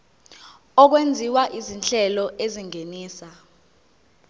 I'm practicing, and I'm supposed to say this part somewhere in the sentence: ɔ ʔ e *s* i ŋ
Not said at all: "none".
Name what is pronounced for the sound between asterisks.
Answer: z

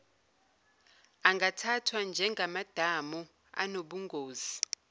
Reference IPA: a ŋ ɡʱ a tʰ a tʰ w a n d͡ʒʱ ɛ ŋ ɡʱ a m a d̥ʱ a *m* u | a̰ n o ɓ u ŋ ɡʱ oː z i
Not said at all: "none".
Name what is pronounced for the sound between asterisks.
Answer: m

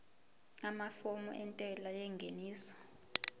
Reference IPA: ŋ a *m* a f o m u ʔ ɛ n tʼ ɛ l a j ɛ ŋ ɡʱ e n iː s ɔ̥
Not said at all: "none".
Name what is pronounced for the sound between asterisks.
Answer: m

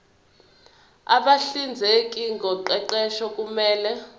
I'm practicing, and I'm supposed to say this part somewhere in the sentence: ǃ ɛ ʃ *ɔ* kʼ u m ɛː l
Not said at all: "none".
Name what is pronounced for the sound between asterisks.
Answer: ɔ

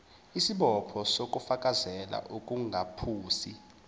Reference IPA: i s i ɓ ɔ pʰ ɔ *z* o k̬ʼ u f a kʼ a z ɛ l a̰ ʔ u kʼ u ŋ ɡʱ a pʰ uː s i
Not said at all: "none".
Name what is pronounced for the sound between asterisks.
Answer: s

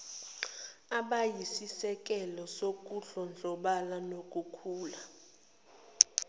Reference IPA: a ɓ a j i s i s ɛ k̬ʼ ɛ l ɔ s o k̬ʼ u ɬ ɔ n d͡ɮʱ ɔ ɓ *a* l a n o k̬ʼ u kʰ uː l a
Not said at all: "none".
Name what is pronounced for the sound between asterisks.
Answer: a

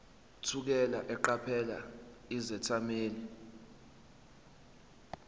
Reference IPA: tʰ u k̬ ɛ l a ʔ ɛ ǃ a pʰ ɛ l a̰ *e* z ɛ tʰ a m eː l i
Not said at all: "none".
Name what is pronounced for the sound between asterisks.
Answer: i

